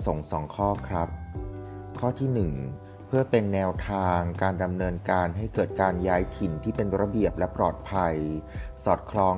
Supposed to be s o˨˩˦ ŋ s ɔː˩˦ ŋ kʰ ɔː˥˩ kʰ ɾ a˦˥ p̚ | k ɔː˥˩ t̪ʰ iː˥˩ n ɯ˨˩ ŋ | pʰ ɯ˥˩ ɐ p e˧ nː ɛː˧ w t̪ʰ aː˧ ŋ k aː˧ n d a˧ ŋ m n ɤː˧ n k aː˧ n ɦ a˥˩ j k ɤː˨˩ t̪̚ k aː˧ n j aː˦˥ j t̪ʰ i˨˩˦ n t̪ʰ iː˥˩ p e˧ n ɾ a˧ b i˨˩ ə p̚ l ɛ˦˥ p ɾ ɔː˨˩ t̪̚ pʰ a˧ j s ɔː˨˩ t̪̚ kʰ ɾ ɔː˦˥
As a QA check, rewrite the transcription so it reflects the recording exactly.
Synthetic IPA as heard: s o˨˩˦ ŋ s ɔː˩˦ ŋ kʰ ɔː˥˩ kʰ ɾ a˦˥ p̚ | kʰ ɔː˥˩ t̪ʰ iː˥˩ n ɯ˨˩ ŋ | pʰ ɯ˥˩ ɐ p e˧ nː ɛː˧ w t̪ʰ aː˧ ŋ k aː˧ n d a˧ m n ɤː˧ n k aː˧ n ɦ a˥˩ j k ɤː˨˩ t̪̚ k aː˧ n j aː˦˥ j t̪ʰ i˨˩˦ n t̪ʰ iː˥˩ p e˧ n ɾ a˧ b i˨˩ ə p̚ l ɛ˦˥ p ɾ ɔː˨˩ t̪̚ pʰ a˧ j s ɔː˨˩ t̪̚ kʰ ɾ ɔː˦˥